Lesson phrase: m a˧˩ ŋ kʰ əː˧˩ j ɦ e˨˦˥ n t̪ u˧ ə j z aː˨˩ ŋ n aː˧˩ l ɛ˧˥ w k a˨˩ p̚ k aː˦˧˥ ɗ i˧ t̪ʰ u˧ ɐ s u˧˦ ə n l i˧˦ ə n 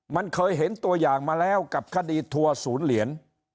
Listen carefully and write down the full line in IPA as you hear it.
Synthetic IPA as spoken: m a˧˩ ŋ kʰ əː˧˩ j ɦ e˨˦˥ n t̪ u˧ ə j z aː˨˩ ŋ m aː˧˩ l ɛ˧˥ w k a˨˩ p̚ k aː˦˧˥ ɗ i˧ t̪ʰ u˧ ə s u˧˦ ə n l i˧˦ ə n